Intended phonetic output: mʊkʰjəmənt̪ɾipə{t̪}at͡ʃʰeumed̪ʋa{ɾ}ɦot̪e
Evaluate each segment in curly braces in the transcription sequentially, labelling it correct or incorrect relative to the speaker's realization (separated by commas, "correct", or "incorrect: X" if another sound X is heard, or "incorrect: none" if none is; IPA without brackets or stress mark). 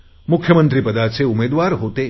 incorrect: d̪, correct